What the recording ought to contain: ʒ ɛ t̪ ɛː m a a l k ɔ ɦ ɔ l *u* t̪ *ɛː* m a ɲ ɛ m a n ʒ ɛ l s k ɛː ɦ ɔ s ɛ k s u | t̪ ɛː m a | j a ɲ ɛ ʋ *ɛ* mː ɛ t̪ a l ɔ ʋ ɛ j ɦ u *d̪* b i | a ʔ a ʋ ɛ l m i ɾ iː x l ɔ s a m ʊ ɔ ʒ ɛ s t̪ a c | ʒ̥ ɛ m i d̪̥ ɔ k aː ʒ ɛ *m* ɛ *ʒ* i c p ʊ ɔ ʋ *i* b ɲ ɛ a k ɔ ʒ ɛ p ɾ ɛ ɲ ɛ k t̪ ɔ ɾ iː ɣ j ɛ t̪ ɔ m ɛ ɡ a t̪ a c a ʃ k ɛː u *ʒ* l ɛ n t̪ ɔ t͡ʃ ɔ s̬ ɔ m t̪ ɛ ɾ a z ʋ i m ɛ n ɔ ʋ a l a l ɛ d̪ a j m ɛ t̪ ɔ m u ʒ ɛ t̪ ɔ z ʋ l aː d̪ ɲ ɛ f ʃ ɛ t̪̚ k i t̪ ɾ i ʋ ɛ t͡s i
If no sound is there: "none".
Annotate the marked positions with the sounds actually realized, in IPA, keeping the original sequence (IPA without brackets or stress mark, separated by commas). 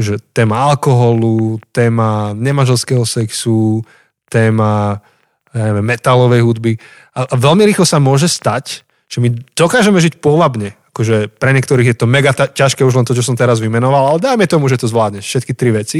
u, ɛː, ɛ, d̪, m, ʒ, a, ʒ